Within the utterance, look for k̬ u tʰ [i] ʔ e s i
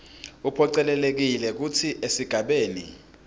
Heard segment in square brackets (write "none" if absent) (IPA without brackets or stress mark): i